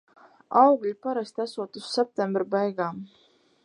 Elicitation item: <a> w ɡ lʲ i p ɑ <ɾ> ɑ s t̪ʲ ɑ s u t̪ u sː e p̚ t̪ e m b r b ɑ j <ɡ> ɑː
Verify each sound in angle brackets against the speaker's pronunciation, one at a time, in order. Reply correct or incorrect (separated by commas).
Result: incorrect, correct, correct